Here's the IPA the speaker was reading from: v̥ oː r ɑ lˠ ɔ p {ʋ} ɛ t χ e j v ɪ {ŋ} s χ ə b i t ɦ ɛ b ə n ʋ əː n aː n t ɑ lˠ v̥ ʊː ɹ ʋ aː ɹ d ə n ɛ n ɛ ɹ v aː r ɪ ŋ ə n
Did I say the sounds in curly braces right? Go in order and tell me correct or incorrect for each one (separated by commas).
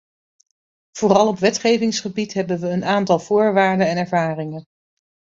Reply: correct, correct